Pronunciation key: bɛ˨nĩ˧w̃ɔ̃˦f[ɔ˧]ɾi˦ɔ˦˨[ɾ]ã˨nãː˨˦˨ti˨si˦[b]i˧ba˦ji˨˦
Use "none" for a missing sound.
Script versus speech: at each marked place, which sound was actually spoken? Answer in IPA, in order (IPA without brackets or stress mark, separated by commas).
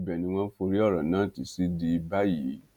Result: o˧, ɾ, d